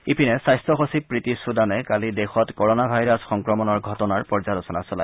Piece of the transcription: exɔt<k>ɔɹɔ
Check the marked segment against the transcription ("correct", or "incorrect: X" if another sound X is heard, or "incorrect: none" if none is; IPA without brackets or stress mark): correct